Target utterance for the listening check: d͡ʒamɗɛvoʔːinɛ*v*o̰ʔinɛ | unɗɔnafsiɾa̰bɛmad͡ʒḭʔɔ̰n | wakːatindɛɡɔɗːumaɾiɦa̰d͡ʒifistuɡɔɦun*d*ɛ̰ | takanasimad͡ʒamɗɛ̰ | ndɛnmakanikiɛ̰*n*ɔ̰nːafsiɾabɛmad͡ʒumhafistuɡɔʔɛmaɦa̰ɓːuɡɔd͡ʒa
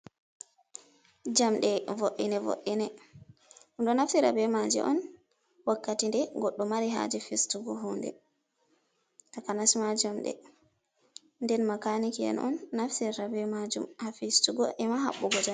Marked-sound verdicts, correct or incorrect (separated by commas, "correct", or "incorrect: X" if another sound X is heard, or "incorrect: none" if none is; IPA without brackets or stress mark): correct, correct, correct